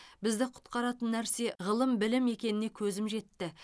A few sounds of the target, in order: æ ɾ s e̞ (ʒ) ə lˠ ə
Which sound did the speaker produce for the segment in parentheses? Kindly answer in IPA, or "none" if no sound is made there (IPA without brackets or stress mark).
ʁ